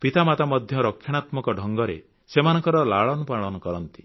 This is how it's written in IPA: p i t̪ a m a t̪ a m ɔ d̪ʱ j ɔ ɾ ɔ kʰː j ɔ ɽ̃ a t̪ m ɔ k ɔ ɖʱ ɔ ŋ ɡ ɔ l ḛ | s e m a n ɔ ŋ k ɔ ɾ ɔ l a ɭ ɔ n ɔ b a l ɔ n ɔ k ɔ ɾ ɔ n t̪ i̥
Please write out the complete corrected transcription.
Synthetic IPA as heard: p i t̪ a m a t̪ a m ɔ d̪ʱ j ɔ ɾ ɔ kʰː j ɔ ɽ̃ a t̪ m ɔ k ɔ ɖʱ ɔ ŋ ɡ ɔ ɾ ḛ | s e m a n ɔ ŋ k ɔ ɾ ɔ l a ɭ ɔ n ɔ p a ɭ ɔ n ɔ k ɔ ɾ ɔ n t̪ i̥